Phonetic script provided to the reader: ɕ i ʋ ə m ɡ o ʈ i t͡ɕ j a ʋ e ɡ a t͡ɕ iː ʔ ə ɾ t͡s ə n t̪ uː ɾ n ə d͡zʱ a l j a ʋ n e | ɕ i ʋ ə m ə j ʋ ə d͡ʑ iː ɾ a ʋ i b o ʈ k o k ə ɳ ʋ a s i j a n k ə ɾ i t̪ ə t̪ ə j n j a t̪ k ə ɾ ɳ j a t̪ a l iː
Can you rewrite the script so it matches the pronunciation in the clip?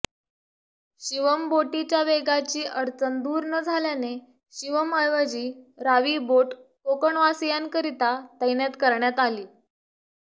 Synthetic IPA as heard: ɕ i ʋ ə m b o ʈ i t͡ɕ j a ʋ e ɡ a t͡ɕ iː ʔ ə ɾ t͡s ə n d̪ uː ɾ n ə d͡zʱ a l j a n e | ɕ i ʋ ə m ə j ʋ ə d͡ʑ iː ɾ a ʋ i b o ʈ k o k ə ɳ ʋ a s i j a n k ə ɾ i t̪ a t̪ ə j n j a t̪ k ə ɾ ɳ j a t̪ a l iː